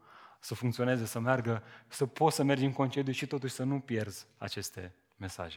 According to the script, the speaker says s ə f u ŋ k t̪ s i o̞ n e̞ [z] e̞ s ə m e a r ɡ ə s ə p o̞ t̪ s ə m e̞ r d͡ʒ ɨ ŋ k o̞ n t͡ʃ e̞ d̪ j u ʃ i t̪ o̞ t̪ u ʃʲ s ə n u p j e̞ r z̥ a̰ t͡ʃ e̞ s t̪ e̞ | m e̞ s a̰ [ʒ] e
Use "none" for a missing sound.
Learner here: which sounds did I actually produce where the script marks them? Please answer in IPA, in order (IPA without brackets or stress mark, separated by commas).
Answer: z, ʒ